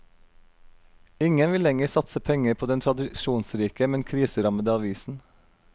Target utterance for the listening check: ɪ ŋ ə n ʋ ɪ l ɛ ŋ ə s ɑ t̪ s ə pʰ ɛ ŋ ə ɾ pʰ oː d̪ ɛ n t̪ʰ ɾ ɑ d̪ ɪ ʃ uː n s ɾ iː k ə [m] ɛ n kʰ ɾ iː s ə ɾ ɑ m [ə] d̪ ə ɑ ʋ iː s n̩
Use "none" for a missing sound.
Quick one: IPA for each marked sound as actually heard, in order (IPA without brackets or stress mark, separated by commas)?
m, ə